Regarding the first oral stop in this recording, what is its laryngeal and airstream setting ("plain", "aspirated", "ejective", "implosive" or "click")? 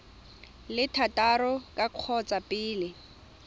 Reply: aspirated